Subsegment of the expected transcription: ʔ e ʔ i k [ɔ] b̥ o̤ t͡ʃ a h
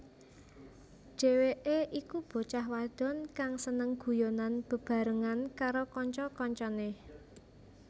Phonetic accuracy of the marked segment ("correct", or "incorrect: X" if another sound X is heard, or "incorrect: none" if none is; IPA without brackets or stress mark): incorrect: u